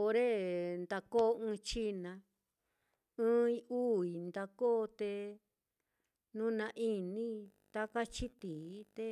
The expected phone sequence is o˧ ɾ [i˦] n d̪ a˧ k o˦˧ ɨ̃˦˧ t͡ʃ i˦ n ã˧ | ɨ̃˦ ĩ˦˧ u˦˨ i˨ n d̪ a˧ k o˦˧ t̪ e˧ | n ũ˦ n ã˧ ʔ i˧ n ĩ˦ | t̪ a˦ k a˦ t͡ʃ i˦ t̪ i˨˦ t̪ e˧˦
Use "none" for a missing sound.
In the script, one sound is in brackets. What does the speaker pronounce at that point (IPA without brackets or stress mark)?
e˦